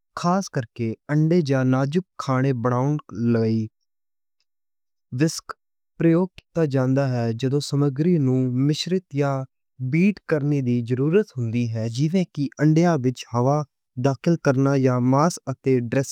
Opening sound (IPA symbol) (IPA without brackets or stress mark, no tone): kʰ